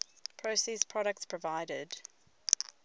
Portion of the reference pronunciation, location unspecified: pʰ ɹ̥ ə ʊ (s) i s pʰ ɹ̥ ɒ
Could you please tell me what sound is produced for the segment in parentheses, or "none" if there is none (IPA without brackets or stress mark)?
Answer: s